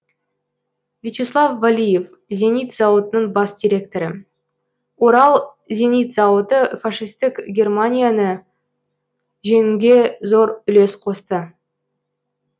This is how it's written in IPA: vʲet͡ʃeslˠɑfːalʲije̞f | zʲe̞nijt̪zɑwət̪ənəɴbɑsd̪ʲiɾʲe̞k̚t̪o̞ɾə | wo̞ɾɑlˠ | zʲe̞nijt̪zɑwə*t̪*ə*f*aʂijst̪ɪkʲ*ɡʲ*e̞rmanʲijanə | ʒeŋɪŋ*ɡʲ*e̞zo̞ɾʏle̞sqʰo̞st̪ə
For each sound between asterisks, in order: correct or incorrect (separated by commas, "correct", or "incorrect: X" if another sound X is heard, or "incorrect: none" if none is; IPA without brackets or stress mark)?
correct, correct, correct, correct